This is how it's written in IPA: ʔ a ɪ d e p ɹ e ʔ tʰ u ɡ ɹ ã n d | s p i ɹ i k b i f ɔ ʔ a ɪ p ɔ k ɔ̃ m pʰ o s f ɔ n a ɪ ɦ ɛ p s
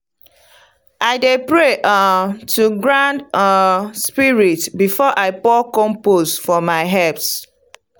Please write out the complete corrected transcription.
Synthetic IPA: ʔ a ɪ d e p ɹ e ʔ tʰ u ɡ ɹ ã n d | s p i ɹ i t b i f ɔ ʔ a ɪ p ɔ k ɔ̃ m p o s f ɔ m a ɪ ɦ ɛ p s